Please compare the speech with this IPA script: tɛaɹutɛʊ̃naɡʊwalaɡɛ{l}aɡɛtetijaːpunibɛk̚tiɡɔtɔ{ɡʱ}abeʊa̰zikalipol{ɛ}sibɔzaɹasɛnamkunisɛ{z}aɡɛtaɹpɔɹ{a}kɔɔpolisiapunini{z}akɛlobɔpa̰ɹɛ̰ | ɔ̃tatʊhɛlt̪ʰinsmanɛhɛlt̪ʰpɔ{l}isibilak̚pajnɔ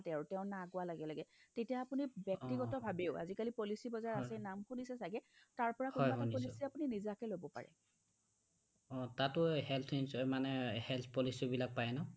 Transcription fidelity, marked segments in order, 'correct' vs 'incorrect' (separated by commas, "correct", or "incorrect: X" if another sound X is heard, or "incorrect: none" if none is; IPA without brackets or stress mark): correct, incorrect: bʱ, incorrect: i, incorrect: s, correct, correct, correct